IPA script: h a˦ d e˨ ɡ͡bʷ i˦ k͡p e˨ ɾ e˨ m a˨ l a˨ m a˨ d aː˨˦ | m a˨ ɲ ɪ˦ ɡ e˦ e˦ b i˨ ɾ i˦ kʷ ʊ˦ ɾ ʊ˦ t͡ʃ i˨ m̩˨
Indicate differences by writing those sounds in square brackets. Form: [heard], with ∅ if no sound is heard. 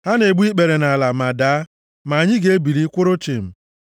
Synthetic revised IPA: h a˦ [n] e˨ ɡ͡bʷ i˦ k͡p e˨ ɾ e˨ [n] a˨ l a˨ m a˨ d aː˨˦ | m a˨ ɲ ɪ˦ ɡ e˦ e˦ b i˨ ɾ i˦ kʷ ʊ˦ ɾ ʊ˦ t͡ʃ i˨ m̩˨